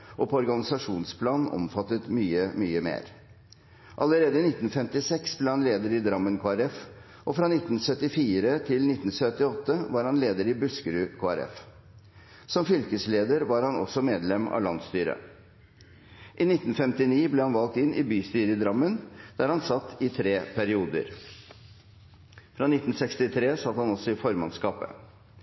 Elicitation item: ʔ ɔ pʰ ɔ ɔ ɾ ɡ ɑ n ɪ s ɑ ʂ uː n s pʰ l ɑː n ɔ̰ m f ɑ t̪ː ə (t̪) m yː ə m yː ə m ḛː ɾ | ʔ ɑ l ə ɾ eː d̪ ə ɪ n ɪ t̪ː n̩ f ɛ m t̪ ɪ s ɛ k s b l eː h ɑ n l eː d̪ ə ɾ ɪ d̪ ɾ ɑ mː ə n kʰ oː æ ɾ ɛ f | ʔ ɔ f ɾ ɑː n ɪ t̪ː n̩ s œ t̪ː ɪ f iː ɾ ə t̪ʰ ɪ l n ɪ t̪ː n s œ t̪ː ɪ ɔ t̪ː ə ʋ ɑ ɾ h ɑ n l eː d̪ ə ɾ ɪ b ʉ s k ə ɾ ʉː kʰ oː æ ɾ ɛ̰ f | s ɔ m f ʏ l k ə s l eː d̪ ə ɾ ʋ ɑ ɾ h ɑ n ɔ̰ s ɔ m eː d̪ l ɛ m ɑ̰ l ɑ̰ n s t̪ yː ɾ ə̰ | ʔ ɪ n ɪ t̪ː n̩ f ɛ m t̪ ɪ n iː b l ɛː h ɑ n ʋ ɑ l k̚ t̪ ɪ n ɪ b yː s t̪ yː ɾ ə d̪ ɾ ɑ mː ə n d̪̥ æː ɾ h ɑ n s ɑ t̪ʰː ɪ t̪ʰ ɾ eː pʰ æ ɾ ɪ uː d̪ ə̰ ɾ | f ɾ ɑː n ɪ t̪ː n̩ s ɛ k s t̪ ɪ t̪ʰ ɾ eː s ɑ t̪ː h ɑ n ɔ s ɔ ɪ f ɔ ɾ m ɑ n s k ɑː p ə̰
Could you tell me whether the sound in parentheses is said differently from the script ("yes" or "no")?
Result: no